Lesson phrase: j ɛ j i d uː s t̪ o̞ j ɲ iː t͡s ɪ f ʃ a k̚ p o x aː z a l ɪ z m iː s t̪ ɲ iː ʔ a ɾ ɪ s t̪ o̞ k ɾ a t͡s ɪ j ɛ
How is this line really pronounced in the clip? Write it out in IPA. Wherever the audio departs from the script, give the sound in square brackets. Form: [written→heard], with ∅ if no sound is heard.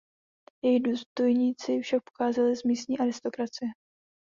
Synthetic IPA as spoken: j ɛ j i d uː s t̪ o̞ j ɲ iː t͡s ɪ f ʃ a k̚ p o x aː z a l ɪ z m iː s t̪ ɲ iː ʔ a ɾ ɪ s t̪ o̞ k ɾ a t͡s ɪ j ɛ